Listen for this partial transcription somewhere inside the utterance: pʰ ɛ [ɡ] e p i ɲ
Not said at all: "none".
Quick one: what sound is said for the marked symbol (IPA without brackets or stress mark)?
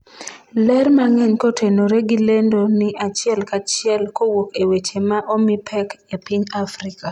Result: k